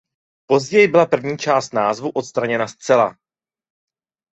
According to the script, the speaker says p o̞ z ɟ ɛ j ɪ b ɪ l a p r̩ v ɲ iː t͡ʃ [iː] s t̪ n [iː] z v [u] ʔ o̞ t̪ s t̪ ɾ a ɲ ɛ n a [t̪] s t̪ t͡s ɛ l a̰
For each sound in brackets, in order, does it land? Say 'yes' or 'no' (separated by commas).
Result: no, no, yes, no